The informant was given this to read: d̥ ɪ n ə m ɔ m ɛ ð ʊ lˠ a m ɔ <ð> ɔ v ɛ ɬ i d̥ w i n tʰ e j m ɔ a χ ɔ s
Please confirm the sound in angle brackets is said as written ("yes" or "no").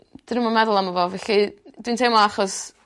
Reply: no